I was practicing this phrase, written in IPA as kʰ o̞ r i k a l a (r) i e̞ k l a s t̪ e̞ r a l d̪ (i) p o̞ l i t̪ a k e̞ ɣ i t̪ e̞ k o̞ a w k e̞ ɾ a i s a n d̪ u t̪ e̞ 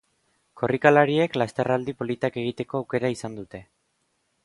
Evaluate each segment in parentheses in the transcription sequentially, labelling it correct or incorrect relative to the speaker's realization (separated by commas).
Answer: incorrect, correct